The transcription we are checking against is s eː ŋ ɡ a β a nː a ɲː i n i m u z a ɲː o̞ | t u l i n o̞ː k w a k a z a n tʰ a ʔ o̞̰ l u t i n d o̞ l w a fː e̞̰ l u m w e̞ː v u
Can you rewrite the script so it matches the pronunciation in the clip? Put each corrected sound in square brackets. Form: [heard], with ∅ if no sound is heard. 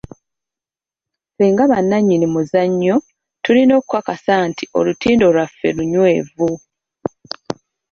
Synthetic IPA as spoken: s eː ŋ ɡ a β a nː a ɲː i n i m u z a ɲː o̞ | t u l i n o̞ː k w a k a [s] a n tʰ [i] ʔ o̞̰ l u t [iː] n d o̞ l w a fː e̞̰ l u [ɲ] w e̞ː v u